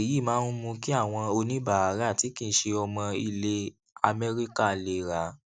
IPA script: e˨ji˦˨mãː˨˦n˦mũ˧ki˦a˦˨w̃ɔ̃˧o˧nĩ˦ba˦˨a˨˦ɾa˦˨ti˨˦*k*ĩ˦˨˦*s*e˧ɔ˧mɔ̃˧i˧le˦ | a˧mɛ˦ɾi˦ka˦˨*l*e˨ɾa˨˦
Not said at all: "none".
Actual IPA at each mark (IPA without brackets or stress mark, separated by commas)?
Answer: k, ʃ, l